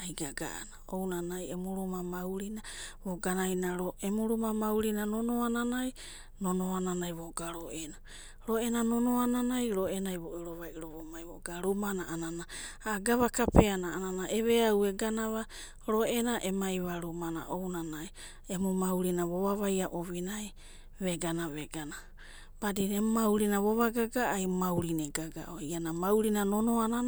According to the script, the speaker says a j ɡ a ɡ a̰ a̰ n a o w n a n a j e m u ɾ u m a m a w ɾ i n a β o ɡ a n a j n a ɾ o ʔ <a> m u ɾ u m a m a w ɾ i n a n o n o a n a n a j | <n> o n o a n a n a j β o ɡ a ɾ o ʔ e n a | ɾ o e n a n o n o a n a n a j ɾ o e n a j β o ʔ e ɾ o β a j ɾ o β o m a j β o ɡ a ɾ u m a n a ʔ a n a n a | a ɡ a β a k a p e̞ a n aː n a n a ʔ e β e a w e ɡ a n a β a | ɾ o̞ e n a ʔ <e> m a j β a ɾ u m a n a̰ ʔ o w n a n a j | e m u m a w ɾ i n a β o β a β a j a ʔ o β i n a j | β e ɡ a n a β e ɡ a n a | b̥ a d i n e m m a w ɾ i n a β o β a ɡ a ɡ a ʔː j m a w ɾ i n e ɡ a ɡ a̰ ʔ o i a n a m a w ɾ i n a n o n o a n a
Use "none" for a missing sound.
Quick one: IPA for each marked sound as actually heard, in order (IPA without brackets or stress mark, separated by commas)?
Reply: e, n, e